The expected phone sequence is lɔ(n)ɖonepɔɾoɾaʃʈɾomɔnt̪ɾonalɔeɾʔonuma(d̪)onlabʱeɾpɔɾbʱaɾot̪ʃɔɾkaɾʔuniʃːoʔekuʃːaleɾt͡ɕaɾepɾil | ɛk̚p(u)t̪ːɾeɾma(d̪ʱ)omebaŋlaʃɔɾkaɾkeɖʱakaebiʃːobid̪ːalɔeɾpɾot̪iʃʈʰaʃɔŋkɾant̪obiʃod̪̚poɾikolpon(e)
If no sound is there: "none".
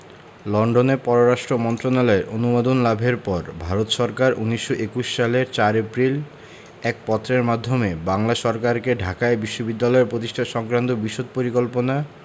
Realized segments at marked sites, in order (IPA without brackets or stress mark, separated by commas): ɳ, d̪, ɔ, d̪ʱː, a